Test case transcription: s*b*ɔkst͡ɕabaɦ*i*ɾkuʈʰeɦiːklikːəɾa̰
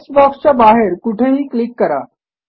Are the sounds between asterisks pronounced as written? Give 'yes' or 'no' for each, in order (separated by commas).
yes, no